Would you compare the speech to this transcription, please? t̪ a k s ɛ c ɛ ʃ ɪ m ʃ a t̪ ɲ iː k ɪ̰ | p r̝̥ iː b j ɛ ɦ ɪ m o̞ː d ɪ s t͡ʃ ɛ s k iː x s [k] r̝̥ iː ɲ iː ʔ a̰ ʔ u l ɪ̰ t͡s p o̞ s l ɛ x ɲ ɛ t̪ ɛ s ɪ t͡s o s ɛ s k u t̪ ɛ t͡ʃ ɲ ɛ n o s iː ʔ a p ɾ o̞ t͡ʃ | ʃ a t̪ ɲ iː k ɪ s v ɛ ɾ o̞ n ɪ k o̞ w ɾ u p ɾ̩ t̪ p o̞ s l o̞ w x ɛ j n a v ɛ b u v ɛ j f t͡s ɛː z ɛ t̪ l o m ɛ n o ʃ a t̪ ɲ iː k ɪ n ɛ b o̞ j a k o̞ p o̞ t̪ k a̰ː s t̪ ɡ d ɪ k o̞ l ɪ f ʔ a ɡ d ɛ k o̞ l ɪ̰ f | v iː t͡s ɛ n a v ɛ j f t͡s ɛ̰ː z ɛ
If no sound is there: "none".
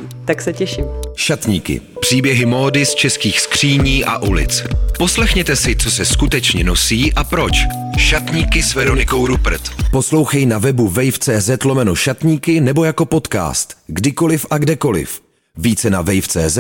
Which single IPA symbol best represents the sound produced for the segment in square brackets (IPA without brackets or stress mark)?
k